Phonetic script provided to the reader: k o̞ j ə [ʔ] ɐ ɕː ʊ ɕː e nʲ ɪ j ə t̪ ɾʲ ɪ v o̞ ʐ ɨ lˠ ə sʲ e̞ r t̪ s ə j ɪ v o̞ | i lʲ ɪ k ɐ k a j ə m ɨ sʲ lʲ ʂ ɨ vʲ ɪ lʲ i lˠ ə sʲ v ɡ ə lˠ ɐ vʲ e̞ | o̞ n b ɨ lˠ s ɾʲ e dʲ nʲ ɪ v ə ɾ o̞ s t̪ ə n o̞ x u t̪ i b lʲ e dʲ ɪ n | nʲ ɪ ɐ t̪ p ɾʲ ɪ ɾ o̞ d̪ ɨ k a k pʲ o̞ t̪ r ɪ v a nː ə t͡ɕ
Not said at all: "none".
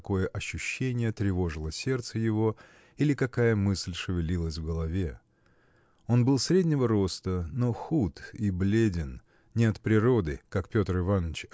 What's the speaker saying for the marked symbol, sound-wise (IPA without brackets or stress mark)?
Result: ʔ